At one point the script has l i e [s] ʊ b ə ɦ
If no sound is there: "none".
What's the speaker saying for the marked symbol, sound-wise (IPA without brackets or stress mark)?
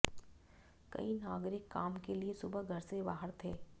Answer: s